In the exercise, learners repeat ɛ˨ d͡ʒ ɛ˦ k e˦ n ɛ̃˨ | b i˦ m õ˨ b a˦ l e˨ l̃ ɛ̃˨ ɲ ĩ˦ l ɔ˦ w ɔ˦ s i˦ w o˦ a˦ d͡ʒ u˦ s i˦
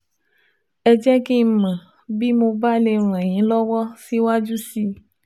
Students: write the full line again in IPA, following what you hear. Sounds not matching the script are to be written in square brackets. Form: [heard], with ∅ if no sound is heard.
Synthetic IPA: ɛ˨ d͡ʒ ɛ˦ k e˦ [m] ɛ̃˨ | b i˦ m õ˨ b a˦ l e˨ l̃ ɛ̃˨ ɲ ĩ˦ l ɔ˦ w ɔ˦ s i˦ w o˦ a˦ d͡ʒ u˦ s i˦